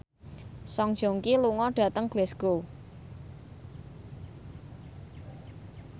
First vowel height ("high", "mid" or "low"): mid